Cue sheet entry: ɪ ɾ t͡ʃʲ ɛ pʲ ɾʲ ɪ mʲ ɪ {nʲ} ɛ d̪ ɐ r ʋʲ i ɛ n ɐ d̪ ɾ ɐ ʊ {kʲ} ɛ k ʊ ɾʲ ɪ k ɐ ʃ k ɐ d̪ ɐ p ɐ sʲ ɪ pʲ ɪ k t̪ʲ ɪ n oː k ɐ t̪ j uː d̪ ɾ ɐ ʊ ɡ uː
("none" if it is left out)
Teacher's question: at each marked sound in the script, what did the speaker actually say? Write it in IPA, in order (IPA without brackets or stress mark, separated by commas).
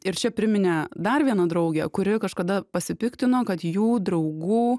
nʲ, ɡʲ